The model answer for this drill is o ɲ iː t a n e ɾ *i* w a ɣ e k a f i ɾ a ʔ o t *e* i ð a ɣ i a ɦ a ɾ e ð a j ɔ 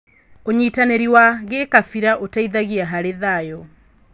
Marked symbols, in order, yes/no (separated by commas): yes, no